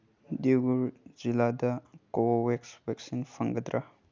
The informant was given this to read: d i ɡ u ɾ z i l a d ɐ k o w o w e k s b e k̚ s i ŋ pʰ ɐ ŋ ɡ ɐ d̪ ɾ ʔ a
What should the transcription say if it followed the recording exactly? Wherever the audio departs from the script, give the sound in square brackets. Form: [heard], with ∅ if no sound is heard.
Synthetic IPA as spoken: d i ɡ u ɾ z i l a d ɐ k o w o w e k s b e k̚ s i [n] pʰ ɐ ŋ ɡ ɐ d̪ ɾ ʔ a